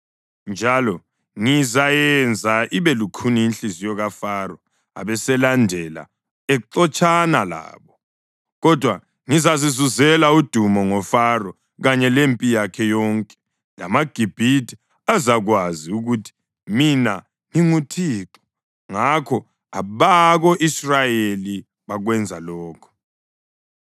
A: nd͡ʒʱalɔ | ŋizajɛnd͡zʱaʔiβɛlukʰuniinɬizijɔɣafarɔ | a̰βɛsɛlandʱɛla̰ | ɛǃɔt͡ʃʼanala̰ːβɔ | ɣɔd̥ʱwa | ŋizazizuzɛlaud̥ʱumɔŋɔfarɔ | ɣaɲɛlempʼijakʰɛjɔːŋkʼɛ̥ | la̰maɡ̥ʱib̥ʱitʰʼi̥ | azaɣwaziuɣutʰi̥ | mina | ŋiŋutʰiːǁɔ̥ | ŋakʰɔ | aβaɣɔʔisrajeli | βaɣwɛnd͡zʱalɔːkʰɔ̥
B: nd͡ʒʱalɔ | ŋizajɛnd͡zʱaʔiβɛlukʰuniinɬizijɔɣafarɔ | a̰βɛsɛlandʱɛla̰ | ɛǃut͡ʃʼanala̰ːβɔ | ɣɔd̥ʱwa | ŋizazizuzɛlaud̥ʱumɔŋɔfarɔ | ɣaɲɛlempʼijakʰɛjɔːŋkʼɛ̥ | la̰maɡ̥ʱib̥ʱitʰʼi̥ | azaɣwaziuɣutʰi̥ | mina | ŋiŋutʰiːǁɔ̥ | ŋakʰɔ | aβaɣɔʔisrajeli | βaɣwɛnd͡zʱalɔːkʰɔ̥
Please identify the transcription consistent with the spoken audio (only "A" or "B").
A